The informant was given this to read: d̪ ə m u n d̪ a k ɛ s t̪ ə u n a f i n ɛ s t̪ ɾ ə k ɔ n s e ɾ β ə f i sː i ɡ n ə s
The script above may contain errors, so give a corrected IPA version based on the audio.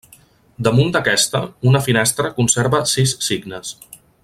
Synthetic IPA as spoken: d̪ ə m u n d̪ ə k ɛ s t̪ ə u n ə f i n ɛ s t̪ ɾ ə k u n s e ɾ β ə s i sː i ɡ n ə s